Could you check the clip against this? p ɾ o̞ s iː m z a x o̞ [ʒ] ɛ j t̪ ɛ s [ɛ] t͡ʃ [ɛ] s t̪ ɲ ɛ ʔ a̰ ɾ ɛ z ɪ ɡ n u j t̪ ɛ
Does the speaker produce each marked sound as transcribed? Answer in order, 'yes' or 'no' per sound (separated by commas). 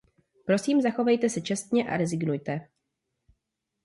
no, yes, yes